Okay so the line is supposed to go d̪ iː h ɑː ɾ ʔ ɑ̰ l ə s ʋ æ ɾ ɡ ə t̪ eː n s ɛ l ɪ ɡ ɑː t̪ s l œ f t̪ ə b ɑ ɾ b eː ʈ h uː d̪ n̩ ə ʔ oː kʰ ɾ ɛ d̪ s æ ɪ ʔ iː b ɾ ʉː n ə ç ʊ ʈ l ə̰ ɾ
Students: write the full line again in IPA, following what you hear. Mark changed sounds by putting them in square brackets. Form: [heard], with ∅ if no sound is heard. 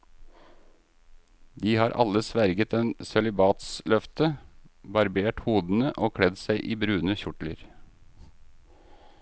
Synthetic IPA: d̪ iː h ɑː ɾ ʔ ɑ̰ l ə s ʋ æ ɾ ɡ ə t̪ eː n s ɛ l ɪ [b] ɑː t̪ s l œ f t̪ ə b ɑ ɾ b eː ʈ h uː d̪ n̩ ə ʔ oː kʰ [ɽ] ɛ d̪ s æ ɪ ʔ iː b ɾ ʉː n ə ç ʊ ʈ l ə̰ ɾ